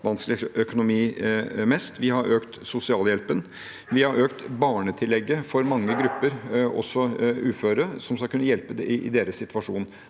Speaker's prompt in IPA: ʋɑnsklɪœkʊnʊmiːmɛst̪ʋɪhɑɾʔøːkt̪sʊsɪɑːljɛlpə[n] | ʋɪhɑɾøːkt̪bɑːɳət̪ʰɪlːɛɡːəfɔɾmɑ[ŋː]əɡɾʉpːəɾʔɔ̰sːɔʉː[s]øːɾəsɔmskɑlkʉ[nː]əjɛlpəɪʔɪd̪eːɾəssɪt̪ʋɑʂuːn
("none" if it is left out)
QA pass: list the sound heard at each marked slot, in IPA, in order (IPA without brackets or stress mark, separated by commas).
n, ŋː, f, nː